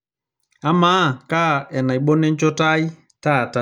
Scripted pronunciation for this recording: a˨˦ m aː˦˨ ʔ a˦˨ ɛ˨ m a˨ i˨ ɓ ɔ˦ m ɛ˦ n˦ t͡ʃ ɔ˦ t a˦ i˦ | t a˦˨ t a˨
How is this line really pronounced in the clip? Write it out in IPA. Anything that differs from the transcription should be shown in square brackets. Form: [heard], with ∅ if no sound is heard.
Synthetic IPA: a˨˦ m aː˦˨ [k] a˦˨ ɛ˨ [n] a˨ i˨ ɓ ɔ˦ [n] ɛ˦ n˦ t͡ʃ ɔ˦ t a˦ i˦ | t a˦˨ t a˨